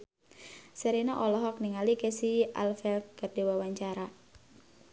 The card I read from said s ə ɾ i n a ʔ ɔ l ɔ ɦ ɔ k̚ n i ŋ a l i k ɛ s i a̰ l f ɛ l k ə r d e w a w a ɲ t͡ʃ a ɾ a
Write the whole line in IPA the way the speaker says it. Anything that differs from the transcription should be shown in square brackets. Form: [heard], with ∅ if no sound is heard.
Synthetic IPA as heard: s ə ɾ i n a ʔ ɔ l ɔ ɦ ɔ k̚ n i ŋ a l i k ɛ s i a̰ l f ɛ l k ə r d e w a w a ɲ t͡ʃ a ɾ a